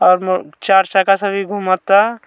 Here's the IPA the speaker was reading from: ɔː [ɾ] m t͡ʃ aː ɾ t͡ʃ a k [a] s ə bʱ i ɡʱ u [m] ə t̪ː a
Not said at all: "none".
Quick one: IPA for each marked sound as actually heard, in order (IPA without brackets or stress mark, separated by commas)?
ɾ, a, m